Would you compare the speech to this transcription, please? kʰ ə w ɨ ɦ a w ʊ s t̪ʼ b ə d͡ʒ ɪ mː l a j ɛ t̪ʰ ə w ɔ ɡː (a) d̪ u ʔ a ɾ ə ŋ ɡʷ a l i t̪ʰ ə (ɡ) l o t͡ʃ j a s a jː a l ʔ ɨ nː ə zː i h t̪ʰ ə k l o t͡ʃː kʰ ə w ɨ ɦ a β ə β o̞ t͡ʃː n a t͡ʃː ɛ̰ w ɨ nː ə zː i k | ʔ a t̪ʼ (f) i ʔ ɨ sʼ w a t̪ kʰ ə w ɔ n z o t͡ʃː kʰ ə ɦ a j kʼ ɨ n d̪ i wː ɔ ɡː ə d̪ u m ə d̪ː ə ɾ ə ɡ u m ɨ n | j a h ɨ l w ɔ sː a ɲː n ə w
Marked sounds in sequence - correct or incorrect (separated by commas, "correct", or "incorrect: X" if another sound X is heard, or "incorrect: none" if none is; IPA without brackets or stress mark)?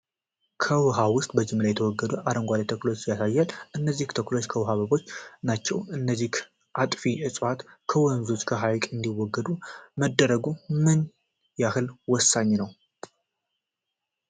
incorrect: ə, incorrect: k, correct